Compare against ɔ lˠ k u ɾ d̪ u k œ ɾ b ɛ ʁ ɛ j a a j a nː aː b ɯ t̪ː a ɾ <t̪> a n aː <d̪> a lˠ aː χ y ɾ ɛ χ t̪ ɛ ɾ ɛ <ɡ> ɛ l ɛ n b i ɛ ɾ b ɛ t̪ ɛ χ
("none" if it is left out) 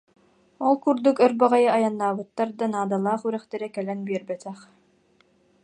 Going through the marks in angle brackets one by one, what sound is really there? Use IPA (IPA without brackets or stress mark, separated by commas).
d̪, d̪, k